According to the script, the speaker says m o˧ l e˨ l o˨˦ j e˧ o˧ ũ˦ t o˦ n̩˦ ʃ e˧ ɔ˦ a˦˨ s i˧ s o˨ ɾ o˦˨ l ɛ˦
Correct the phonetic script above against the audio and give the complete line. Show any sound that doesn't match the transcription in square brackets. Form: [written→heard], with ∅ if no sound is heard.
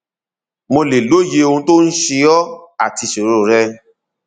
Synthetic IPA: m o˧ l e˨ l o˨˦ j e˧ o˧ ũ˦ t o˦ n̩˦ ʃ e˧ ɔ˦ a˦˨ [s→t] i˧ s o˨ ɾ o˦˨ [l→ɾ] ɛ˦